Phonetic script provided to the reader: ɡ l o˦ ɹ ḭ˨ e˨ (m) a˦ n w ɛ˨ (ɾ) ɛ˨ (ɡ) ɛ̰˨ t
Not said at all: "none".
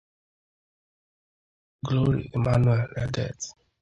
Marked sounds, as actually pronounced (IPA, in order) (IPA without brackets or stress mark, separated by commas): m, l, d